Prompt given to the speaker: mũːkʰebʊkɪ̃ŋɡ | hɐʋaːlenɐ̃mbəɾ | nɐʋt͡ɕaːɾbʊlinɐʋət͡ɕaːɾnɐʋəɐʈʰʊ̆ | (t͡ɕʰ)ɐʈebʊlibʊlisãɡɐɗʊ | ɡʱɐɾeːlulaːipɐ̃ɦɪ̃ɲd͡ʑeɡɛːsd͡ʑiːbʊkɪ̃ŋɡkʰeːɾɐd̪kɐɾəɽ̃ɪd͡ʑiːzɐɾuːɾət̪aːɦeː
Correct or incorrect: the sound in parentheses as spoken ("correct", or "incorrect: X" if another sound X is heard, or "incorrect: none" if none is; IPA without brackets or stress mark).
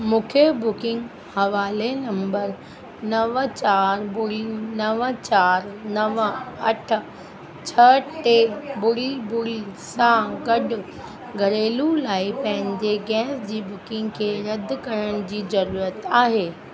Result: correct